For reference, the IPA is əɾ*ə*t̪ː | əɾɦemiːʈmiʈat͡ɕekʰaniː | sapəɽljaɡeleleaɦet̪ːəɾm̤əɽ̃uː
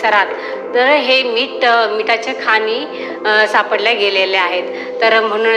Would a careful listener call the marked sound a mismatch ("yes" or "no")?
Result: yes